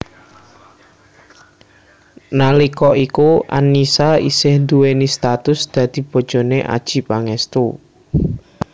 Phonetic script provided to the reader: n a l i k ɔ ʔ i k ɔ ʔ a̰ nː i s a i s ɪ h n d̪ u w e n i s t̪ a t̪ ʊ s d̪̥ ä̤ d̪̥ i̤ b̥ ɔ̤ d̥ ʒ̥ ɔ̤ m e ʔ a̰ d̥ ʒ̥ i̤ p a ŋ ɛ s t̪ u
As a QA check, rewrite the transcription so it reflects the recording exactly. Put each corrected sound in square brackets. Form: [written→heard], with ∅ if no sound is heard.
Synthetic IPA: n a l i k ɔ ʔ i k [ɔ→u] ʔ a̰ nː i s a i s ɪ h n d̪ u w e n i s t̪ a t̪ ʊ s d̪̥ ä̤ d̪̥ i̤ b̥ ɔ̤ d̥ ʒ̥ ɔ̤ [m→n] e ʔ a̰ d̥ ʒ̥ i̤ p a ŋ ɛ s t̪ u